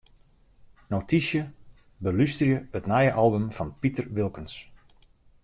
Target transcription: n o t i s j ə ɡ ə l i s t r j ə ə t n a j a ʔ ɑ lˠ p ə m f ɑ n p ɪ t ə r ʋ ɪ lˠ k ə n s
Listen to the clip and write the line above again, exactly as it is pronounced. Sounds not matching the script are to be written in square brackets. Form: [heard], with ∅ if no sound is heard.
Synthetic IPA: n o t i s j ə [b] ə l [y] s t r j ə ə t n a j [ə] ʔ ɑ lˠ [b] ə m f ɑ n p [i] t ə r ʋ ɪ lˠ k ə n s